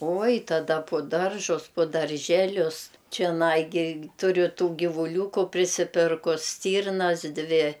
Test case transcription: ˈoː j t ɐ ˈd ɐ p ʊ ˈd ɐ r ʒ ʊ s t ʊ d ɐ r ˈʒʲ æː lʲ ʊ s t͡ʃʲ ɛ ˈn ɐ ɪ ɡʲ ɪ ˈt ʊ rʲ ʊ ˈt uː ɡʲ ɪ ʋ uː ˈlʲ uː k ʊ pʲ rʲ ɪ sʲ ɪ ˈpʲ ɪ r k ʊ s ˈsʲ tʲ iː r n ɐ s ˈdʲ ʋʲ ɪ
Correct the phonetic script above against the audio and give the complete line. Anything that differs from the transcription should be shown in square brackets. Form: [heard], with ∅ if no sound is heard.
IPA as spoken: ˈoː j t ɐ ˈd ɐ p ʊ ˈd ɐ r ʒ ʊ s [p] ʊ d ɐ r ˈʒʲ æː lʲ ʊ s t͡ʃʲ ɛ ˈn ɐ ɪ ɡʲ ɪ ˈt ʊ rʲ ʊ ˈt uː ɡʲ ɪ ʋ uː ˈlʲ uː k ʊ pʲ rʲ ɪ sʲ ɪ ˈpʲ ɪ r k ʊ s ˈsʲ tʲ iː r n ɐ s ˈdʲ ʋʲ ɪ